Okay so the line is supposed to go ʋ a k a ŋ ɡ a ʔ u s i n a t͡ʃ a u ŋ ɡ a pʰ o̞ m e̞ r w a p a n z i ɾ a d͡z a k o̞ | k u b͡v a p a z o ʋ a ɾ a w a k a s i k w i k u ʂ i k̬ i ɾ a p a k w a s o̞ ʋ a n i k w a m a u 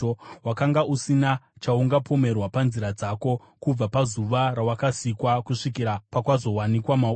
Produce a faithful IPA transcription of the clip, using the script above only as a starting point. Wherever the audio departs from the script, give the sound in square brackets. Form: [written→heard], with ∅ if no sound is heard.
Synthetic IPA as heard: [ʋ→w] a k a ŋ ɡ a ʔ u s i n a t͡ʃ a u ŋ ɡ a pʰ o̞ m e̞ r w a p a n z i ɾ a d͡z a k o̞ | k u b͡v a p a z [o→u] ʋ a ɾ a w a k a s i k w [i→a] k u ʂ i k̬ i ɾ a p a k w a [s→z] o̞ [ʋ→w] a n i k w a m a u